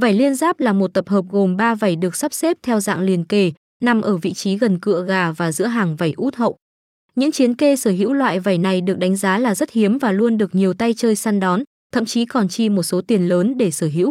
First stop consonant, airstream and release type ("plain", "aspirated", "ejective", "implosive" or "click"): plain